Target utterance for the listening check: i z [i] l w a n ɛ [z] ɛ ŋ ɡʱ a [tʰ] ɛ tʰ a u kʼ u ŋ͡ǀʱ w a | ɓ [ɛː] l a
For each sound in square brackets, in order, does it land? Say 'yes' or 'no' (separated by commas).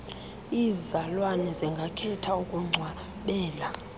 no, yes, no, yes